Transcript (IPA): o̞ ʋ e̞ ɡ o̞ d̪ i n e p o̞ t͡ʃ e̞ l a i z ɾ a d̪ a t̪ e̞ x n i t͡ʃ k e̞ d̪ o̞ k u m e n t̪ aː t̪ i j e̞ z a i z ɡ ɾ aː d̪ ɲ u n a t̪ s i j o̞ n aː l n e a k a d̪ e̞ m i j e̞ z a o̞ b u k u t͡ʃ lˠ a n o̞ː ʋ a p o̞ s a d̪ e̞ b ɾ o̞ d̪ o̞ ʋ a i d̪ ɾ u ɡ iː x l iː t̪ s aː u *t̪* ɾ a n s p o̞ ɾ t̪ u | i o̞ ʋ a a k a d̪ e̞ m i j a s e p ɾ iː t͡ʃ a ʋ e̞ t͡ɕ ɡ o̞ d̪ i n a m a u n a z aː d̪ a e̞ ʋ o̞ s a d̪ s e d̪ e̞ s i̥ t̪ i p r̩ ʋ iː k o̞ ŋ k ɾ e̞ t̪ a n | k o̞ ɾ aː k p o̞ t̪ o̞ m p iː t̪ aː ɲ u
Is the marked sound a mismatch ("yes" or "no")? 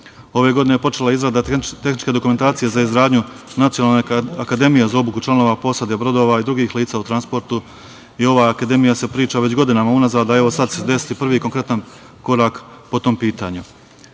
no